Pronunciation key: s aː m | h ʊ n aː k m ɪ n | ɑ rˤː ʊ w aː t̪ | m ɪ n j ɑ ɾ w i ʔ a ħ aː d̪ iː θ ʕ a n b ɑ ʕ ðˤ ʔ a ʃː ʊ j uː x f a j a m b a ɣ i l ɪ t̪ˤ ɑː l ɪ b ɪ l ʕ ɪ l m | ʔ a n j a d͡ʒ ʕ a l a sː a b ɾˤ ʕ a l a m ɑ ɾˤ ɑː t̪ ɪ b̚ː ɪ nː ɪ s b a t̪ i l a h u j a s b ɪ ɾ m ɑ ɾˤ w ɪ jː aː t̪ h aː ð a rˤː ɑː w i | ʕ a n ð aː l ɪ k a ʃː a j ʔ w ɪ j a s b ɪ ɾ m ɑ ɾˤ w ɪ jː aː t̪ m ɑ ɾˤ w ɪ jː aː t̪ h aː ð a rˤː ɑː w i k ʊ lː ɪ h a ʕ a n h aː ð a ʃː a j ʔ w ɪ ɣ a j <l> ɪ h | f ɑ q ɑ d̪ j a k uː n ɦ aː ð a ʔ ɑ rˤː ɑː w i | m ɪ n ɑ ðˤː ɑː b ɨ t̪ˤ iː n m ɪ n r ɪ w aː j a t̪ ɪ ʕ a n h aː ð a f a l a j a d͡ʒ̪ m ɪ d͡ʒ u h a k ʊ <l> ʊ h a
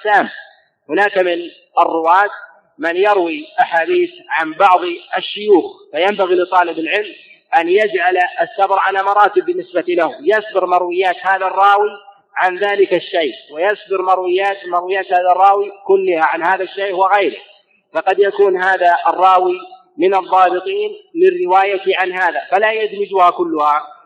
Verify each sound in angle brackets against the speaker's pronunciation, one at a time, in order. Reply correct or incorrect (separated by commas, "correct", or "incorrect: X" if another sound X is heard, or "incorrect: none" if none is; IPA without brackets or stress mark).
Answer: incorrect: ɾ, incorrect: lː